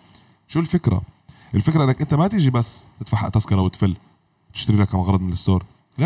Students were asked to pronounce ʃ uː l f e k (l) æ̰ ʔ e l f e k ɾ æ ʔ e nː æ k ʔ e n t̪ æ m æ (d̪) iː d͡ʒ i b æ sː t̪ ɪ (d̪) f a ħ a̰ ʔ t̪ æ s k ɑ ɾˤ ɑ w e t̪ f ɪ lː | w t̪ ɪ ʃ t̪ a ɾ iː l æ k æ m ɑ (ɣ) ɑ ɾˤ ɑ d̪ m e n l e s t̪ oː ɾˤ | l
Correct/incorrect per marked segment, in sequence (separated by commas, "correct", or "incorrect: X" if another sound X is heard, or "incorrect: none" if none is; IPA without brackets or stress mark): incorrect: ɾ, incorrect: t̪, incorrect: t̪, correct